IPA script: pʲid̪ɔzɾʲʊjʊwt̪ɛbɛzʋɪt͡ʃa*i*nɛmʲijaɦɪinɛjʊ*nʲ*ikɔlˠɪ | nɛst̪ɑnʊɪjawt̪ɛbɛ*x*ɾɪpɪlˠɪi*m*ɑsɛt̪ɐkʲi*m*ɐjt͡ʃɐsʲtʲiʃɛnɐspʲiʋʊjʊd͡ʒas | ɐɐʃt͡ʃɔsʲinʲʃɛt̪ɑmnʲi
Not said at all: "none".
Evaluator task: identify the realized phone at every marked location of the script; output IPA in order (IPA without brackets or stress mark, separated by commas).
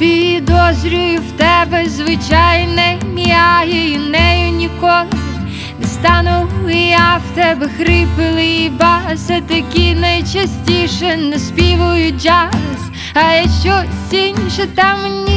j, nʲ, x, b, n